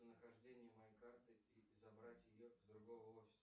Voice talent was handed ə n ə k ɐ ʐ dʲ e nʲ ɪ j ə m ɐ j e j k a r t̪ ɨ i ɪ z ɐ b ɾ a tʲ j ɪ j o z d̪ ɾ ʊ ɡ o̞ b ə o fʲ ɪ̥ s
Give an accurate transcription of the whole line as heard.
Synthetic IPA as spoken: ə n ə x ɐ ʐ dʲ e nʲ ɪ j ə m ɐ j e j k a r t̪ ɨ i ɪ z ɐ b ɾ a tʲ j ɪ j o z d̪ ɾ ʊ ɡ o̞ v ə o fʲ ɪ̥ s